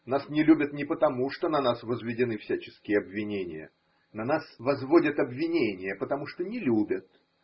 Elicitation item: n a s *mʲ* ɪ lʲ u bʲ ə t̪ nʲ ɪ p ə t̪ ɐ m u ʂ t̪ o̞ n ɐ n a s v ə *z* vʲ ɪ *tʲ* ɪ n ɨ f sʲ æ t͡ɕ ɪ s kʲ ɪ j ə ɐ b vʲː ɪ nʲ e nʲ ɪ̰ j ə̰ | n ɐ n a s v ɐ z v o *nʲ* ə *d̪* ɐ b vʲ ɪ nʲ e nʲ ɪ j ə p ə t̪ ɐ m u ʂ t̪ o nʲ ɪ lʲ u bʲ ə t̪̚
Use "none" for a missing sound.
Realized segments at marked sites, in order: nʲ, z, dʲ, dʲ, t̪

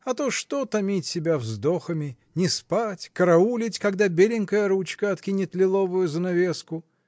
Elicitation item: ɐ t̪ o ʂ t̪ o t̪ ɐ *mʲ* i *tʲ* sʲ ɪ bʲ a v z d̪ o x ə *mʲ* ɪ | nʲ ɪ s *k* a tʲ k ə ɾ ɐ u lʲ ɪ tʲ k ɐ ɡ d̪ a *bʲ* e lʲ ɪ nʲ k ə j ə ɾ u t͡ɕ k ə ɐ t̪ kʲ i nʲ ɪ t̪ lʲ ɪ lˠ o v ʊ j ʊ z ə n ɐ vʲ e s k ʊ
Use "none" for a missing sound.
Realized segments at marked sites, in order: mʲ, tʲ, mʲ, p, bʲ

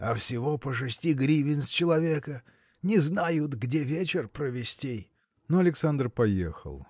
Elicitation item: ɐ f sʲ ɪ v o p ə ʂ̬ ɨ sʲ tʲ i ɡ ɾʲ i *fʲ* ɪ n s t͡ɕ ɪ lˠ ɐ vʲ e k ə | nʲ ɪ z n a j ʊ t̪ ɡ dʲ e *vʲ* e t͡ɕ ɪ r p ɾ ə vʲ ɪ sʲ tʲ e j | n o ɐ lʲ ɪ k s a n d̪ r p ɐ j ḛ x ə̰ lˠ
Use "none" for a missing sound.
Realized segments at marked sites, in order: vʲ, vʲ

